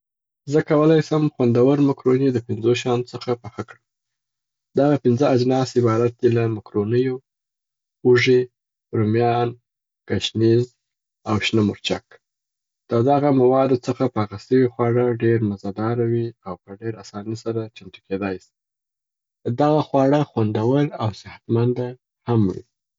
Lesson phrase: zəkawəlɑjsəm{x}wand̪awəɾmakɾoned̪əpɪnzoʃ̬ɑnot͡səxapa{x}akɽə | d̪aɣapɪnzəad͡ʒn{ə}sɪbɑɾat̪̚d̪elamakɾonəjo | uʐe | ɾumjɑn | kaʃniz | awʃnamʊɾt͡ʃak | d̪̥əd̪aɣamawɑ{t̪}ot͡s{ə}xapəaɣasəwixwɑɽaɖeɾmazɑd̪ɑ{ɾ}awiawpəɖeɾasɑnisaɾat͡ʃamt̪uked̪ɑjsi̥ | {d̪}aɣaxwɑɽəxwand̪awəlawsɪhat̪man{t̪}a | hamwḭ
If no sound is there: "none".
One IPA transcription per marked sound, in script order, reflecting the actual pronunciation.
x, x, ɑ, d̪, ə, ɾ, d̪, d̪

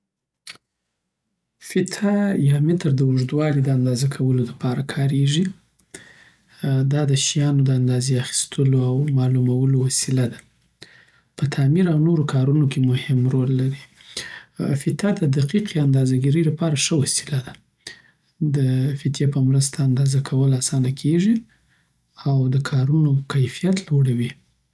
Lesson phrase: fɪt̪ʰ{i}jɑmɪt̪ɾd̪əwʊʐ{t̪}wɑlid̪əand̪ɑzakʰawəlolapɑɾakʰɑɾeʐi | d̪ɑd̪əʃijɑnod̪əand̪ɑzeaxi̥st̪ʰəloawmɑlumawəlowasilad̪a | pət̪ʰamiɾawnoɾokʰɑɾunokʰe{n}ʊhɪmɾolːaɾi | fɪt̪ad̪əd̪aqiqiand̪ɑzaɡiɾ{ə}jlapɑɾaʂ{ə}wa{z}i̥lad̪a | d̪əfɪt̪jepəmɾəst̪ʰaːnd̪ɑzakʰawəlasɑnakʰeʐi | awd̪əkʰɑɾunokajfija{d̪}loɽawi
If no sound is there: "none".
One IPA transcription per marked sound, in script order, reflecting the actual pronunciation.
a, d̪, m, ə, ə, s, t̪

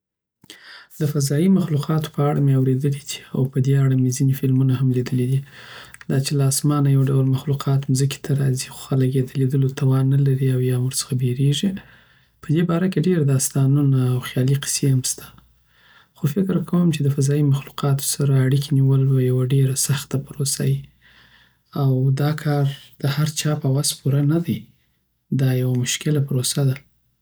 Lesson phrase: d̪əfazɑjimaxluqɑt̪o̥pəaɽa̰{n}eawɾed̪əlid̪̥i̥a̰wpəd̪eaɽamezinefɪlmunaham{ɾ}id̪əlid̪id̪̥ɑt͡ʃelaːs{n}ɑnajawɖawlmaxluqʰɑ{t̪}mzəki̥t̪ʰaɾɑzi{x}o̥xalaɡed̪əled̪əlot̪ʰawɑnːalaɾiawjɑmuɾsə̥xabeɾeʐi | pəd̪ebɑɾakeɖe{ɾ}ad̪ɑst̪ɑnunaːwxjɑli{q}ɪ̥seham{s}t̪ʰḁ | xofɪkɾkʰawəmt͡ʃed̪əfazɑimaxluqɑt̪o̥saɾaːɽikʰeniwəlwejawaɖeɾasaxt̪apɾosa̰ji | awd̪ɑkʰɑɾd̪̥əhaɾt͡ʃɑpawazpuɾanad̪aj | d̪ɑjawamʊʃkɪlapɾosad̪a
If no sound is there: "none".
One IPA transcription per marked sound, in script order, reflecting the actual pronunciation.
m, l, m, t̪, x, ɾ, q, s

